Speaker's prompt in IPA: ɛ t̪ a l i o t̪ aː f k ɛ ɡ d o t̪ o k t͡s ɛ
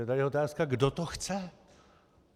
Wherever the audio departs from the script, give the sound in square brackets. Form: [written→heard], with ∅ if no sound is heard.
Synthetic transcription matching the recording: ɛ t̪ a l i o t̪ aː [f→s] k [ɛ→a] ɡ d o t̪ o [k→x] t͡s ɛ